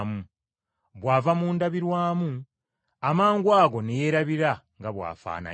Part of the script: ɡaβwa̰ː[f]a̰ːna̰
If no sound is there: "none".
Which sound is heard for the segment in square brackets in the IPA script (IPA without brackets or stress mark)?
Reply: f